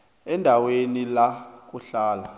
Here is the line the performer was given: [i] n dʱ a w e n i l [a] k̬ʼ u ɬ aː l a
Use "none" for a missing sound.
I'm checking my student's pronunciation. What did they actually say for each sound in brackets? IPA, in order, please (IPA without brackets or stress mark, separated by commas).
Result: ɛ, a